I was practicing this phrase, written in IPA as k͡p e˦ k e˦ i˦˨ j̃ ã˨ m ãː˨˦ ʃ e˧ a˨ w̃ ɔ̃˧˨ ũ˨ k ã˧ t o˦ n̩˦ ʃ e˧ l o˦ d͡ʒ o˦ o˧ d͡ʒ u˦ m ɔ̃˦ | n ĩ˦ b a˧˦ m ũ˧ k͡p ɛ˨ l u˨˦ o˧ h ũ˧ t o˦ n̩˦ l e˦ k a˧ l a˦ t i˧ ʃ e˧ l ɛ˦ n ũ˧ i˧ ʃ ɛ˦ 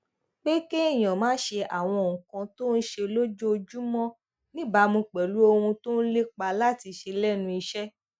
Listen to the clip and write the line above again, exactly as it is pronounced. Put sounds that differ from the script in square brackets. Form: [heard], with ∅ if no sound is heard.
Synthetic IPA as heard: k͡p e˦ k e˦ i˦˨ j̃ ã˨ m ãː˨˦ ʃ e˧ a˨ w̃ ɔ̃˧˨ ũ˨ k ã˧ t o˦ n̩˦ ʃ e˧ l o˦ d͡ʒ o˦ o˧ d͡ʒ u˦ m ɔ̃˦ | n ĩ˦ b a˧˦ m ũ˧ k͡p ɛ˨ l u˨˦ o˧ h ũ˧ t o˦ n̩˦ l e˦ [k͡p] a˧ l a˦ t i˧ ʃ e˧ l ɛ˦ n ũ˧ i˧ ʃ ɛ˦

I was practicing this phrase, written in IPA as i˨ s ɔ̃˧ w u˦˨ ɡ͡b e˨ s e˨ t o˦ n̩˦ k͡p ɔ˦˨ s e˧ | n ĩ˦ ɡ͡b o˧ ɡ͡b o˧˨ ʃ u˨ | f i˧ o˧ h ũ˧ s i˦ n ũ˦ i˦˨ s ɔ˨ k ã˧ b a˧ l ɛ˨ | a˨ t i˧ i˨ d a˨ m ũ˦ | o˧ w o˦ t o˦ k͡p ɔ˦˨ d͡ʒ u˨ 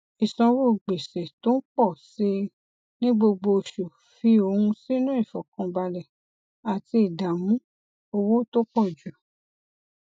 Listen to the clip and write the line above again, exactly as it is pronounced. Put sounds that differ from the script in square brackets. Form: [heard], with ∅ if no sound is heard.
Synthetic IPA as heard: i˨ s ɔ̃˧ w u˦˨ ɡ͡b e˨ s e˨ t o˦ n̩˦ k͡p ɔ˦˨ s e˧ | n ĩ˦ ɡ͡b o˧ ɡ͡b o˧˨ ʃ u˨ | f i˧ o˧ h ũ˧ s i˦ n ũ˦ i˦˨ [f] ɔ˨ k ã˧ b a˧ l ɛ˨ | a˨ t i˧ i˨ d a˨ m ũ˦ | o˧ w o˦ t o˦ k͡p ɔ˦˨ d͡ʒ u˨

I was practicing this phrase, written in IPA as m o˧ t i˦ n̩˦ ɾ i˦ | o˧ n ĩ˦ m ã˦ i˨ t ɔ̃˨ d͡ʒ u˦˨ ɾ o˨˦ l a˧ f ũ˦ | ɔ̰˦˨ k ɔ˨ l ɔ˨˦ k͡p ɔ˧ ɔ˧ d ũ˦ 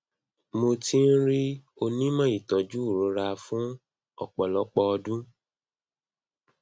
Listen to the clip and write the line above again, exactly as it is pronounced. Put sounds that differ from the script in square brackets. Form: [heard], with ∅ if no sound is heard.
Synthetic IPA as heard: m o˧ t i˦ n̩˦ ɾ i˦ | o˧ n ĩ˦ m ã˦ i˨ t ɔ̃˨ d͡ʒ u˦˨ ɾ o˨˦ [ɾ] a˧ f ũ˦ | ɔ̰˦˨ [k͡p] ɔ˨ l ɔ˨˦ k͡p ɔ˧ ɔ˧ d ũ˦

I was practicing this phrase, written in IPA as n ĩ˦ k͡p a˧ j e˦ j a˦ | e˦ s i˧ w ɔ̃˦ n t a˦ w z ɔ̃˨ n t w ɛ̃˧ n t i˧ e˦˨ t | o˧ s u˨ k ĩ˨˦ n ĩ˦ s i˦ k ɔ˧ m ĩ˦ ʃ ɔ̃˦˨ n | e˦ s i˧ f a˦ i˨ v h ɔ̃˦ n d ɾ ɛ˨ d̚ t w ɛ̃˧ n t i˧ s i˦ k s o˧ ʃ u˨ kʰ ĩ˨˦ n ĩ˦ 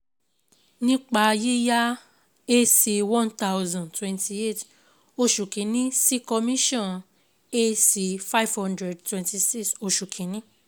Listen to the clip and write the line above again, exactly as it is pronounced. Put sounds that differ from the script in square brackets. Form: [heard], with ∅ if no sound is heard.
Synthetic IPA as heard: n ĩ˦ k͡p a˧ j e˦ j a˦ | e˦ s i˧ w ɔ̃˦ n t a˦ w z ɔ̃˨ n t w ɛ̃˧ n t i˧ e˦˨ t | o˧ [ʃ] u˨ k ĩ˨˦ n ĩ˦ s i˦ k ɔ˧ m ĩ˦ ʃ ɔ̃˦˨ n | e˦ s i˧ f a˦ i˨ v h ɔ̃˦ n d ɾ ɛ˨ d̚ t w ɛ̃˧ n t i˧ s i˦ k s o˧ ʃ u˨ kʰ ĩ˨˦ n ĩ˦

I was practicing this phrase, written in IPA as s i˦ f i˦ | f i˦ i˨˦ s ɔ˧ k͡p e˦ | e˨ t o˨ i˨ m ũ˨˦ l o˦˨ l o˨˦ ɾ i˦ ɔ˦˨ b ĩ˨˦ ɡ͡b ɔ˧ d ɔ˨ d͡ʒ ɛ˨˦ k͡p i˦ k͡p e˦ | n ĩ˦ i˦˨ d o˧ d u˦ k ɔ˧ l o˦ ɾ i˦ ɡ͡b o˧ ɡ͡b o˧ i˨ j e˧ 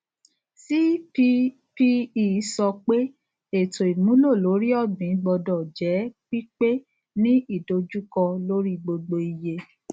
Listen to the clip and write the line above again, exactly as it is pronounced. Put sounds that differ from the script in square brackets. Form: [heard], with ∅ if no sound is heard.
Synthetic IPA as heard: s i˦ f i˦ | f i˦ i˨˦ s ɔ˧ k͡p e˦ | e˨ t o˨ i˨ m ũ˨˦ l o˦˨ l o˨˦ ɾ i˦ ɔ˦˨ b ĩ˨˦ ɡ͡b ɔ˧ d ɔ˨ d͡ʒ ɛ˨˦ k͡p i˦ k͡p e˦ | n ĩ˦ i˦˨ d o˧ [d͡ʒ] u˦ k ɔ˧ l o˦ ɾ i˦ ɡ͡b o˧ ɡ͡b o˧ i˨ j e˧

